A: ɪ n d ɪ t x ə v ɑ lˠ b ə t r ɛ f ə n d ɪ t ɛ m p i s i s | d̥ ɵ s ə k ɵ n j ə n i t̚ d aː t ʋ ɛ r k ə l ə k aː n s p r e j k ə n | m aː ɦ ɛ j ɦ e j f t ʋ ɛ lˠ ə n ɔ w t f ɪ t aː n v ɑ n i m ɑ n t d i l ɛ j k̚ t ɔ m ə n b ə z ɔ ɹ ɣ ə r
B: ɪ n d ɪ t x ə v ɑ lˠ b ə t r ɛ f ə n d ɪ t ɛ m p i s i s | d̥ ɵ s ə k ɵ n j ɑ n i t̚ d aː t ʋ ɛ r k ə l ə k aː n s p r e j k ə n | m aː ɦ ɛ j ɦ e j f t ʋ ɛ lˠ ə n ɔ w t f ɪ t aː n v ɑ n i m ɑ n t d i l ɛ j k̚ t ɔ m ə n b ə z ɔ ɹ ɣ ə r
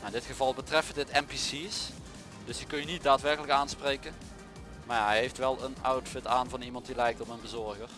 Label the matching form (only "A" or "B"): A